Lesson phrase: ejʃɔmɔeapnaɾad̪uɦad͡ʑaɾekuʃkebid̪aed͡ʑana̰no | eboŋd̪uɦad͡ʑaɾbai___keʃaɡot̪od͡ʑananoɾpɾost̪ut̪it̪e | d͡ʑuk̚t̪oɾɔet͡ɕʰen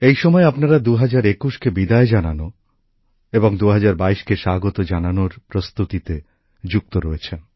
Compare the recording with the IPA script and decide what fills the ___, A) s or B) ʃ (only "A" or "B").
B